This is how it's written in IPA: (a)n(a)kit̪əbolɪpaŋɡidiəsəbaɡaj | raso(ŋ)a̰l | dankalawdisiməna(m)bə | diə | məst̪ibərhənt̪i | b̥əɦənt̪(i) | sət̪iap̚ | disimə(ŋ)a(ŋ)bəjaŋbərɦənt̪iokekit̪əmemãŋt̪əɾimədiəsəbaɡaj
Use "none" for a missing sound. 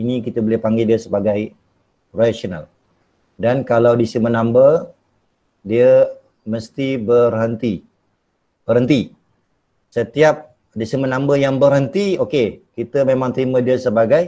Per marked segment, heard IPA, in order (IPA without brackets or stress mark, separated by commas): i, i, n, m, i, n, m